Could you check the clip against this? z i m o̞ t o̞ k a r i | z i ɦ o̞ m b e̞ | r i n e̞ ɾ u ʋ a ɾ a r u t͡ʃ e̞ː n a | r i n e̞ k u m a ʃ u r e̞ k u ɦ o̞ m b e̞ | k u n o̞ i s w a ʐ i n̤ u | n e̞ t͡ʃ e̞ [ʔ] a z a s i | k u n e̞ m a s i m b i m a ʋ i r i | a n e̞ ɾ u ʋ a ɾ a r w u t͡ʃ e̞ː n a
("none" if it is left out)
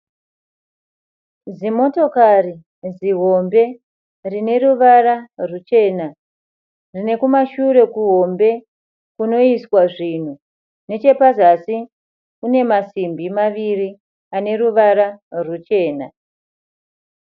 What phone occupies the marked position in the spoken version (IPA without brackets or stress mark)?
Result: p